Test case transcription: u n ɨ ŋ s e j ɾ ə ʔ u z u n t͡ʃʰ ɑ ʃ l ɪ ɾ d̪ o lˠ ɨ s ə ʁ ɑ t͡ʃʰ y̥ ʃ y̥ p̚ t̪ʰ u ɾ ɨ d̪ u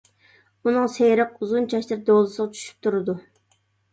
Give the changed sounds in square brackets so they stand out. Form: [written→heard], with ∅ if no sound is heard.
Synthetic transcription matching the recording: u n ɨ ŋ s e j ɾ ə [ʔ→q] u z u n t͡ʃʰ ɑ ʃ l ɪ ɾ d̪ o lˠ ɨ s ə ʁ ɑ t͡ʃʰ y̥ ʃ y̥ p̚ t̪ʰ u ɾ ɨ d̪ u